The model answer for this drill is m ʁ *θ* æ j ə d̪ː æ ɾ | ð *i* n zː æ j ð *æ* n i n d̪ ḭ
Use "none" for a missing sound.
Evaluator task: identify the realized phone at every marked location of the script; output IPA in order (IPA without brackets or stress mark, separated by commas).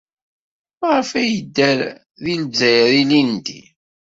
f, i, i